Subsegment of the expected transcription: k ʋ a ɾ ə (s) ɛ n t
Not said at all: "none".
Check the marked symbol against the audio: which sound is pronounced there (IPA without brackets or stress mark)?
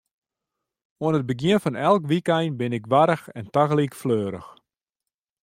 x